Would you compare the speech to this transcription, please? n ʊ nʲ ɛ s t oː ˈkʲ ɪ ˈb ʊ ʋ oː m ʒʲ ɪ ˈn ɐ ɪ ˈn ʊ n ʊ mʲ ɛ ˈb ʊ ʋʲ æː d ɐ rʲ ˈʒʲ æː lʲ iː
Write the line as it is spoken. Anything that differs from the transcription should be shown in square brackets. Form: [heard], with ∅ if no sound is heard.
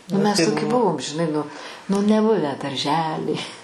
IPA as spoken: n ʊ [mʲ] ɛ s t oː ˈkʲ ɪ ˈb ʊ ʋ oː m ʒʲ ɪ ˈn ɐ ɪ ˈn ʊ n ʊ [nʲ] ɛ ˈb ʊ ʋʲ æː d ɐ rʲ ˈʒʲ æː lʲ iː